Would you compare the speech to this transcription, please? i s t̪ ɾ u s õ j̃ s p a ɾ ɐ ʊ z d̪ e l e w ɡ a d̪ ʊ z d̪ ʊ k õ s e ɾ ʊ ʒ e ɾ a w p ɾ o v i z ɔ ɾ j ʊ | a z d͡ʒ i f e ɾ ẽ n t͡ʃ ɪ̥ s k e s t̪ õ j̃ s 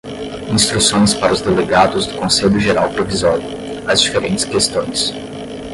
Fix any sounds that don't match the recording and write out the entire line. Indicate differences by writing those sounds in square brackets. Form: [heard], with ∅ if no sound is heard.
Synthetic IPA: [ĩ] s t̪ ɾ u s õ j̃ s p a ɾ ɐ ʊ z d̪ e l e [∅] ɡ a d̪ ʊ z d̪ ʊ k õ s e [ʎ] ʊ ʒ e ɾ a w p ɾ o v i z ɔ ɾ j ʊ | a z d͡ʒ i f e ɾ ẽ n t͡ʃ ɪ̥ s k e s t̪ õ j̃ s

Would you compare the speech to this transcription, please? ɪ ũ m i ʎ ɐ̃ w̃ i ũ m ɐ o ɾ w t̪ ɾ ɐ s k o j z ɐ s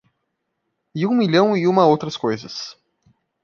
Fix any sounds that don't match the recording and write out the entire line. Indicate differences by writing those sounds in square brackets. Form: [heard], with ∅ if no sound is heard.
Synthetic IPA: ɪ ũ m i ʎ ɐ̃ w̃ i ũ m ɐ o [∅] w t̪ ɾ ɐ s k o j z ɐ s

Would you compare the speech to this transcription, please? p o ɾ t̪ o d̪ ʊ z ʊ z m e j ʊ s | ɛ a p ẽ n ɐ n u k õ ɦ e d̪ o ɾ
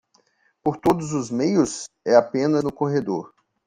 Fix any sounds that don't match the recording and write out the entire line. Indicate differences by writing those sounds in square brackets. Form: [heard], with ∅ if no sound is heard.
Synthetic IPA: p o ɾ t̪ o d̪ ʊ z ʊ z m e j ʊ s | ɛ a p ẽ n ɐ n [ʊ] k [o] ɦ e d̪ o ɾ

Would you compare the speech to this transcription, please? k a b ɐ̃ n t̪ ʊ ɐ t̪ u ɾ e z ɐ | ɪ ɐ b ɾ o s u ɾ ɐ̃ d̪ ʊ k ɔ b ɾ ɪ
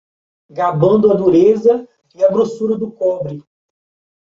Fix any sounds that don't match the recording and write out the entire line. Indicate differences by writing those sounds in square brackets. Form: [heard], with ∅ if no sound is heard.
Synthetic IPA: [ɡ] a b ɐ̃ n [d̪] ʊ ɐ [d̪] u ɾ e z ɐ | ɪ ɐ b ɾ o s u ɾ [ɐ] d̪ ʊ k ɔ b ɾ ɪ

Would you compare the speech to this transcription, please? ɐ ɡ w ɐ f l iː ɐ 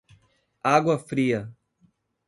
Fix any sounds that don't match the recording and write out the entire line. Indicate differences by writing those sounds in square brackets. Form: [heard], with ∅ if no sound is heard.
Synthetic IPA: [a] ɡ w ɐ f [ɾ] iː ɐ

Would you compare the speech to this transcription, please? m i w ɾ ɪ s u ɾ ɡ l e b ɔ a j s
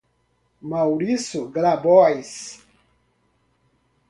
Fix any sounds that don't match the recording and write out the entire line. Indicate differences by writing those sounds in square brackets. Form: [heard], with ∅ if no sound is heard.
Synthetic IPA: m [a] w ɾ [i] s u [∅] ɡ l [a] b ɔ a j s

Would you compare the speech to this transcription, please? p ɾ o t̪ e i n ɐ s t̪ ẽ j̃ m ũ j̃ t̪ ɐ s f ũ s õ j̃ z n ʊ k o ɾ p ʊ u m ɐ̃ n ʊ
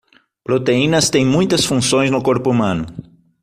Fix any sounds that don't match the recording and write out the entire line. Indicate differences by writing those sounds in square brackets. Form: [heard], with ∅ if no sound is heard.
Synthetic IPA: p ɾ o t̪ e i n ɐ s t̪ ẽ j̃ m ũ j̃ t̪ ɐ s f ũ s õ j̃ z n ʊ k o ɾ p ʊ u m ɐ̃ n ʊ

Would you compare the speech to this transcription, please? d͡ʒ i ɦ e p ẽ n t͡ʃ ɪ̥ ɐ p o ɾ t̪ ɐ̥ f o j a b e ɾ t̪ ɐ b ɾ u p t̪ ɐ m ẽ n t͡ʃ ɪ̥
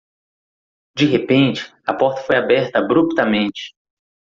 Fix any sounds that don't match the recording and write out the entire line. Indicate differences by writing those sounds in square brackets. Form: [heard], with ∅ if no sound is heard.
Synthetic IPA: d͡ʒ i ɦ e p ẽ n t͡ʃ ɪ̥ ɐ p [ɔ] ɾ t̪ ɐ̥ f o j a b [ɛ] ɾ t̪ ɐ b ɾ u p t̪ ɐ m ẽ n t͡ʃ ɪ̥

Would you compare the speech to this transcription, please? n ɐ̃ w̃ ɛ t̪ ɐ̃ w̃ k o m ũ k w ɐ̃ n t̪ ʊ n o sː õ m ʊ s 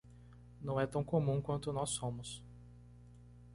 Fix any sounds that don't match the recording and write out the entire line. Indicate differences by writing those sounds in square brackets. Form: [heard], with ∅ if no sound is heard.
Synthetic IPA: n ɐ̃ w̃ ɛ t̪ ɐ̃ w̃ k o m ũ k w ɐ̃ n t̪ ʊ n [ɔ] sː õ m ʊ s

